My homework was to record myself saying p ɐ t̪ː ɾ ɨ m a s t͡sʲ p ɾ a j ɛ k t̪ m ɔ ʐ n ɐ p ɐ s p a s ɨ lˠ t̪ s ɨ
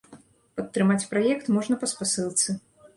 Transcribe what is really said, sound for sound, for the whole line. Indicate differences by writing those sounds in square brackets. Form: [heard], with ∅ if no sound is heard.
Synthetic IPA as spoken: p ɐ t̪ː ɾ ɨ m a [∅] t͡sʲ p ɾ a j ɛ k t̪ m ɔ ʐ n ɐ p ɐ s p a s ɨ lˠ t̪ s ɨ